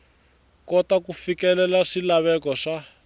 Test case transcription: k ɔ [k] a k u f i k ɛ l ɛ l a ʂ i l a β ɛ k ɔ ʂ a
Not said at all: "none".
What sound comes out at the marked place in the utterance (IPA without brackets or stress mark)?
t